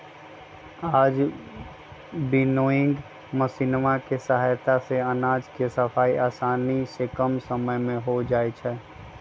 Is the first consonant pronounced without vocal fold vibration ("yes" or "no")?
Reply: no